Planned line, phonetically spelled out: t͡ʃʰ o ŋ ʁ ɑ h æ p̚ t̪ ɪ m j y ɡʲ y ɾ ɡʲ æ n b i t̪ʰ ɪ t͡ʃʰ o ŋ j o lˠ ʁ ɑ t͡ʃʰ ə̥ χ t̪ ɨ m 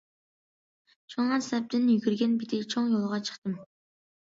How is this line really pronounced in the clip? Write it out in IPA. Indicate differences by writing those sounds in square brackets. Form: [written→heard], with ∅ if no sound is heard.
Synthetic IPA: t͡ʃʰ o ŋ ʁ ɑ [h→s] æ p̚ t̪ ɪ [m→n] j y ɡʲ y ɾ ɡʲ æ n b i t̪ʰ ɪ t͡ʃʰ o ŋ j o lˠ ʁ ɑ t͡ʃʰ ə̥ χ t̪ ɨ m